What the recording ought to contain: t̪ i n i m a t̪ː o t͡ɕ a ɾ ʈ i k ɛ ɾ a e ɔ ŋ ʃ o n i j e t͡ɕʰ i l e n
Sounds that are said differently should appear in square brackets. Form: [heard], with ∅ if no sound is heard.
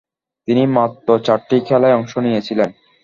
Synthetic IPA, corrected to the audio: t̪ i n i m a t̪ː o t͡ɕ a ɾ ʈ i [kʰ] ɛ [l] a e ɔ ŋ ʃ o n i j e t͡ɕʰ i l e n